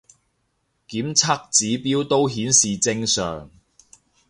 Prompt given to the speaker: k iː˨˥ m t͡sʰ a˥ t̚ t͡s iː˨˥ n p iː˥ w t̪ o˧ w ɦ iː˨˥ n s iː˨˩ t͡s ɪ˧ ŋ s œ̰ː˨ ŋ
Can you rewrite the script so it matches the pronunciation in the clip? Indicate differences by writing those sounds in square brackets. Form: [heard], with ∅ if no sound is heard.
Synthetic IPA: k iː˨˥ m t͡sʰ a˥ [k̚] t͡s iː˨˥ [∅] p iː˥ w t̪ [o˥] w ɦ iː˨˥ n s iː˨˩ t͡s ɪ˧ ŋ s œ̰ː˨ ŋ